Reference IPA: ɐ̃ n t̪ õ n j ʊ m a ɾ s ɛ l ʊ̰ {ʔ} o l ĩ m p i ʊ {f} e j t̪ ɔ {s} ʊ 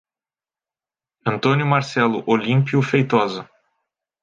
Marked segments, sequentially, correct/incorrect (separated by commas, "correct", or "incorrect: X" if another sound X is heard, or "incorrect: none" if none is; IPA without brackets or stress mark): correct, correct, incorrect: z